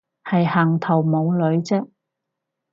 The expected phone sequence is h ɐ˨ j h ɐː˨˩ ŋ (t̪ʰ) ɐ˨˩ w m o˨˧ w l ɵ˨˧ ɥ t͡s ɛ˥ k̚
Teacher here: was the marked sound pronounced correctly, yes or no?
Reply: yes